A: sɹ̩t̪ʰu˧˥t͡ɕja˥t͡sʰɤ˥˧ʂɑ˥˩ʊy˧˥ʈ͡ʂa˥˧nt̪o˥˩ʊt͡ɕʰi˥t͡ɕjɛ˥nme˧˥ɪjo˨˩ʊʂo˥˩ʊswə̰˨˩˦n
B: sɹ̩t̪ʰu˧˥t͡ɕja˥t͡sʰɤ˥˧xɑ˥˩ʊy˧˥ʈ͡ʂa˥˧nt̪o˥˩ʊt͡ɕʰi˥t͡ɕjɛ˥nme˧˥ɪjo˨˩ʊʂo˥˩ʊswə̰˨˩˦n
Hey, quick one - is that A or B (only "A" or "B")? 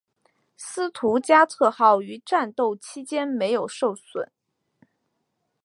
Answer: B